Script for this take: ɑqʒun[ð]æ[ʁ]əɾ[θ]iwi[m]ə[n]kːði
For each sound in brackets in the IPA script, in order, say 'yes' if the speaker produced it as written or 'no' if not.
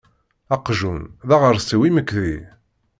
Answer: yes, yes, no, yes, no

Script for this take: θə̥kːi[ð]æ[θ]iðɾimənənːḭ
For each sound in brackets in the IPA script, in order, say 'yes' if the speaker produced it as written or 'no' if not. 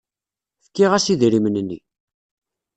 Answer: no, no

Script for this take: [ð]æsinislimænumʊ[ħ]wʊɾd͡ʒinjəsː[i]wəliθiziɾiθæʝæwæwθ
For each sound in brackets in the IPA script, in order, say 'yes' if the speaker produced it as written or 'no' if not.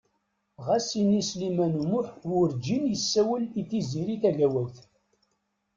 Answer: no, yes, no

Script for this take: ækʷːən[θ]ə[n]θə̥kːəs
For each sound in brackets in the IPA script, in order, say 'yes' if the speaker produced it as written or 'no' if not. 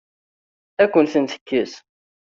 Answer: yes, yes

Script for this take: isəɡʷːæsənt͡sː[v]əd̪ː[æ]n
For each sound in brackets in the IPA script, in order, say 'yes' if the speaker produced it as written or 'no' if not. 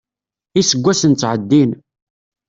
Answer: no, no

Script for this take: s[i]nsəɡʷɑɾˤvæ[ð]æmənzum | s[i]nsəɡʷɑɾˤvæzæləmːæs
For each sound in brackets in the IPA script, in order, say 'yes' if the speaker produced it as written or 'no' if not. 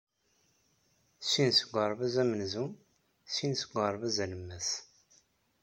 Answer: yes, no, yes

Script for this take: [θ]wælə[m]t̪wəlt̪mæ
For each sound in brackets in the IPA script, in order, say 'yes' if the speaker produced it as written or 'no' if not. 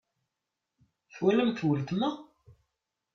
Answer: yes, yes

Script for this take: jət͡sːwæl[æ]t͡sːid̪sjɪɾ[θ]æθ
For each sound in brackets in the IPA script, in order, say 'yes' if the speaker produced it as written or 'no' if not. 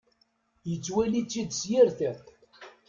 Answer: no, yes

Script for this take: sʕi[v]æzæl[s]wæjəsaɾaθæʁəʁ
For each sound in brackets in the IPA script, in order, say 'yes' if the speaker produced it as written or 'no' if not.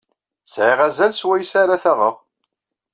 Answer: no, yes

